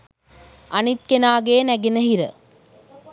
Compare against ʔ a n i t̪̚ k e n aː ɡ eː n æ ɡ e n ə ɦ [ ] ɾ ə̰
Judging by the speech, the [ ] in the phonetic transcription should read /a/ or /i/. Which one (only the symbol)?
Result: i